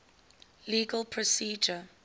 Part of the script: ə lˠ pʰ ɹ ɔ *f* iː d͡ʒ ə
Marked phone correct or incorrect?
incorrect